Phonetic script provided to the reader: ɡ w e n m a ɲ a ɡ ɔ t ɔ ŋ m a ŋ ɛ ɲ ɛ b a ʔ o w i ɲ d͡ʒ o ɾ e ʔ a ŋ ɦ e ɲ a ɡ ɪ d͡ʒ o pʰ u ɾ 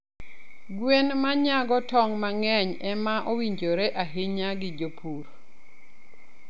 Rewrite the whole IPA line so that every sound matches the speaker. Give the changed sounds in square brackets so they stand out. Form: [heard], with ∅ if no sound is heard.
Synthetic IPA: ɡ w e n m a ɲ a ɡ ɔ t ɔ ŋ m a ŋ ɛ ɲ ɛ [m] a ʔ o w i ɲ d͡ʒ o ɾ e ʔ a [∅] ɦ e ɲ a ɡ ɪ d͡ʒ o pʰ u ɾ